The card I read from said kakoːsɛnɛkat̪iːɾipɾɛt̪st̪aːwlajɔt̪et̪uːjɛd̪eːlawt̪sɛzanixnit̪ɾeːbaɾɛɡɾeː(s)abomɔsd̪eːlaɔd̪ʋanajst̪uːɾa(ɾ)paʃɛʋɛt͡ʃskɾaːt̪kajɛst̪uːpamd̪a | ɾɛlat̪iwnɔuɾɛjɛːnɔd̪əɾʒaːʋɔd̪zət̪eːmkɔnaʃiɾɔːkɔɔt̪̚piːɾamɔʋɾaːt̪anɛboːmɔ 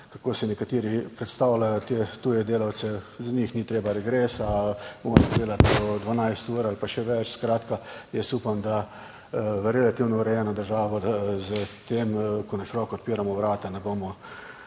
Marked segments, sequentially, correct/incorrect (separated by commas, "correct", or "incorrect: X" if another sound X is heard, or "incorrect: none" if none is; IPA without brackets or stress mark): correct, incorrect: l